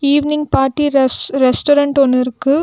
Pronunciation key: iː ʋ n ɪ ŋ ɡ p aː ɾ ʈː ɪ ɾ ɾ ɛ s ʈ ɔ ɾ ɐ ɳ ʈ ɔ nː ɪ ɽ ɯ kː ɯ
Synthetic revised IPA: iː ʋ n ɪ ŋ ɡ p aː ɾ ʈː i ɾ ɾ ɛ s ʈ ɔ ɾ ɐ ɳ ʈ ɔ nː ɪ ɾ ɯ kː ɯ